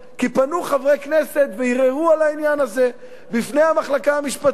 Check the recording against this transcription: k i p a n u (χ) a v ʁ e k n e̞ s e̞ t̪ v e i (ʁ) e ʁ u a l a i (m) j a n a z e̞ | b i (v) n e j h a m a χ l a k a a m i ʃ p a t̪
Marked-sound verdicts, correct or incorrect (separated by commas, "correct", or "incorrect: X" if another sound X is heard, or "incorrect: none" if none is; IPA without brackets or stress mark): correct, correct, incorrect: n, incorrect: f